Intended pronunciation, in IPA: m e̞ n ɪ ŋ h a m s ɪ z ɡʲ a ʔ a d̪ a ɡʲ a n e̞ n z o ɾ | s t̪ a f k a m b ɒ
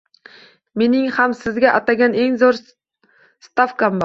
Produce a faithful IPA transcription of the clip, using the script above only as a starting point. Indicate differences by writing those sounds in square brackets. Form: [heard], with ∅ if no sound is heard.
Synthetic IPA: m e̞ n ɪ ŋ h a m s ɪ z ɡʲ a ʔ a [t̪] a ɡʲ a n e̞ [ŋ] z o ɾ | s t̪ a f k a m b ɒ